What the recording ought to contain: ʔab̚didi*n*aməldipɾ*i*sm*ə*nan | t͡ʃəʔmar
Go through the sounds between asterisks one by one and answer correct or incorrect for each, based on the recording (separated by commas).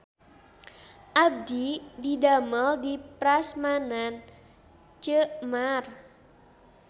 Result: incorrect, incorrect, incorrect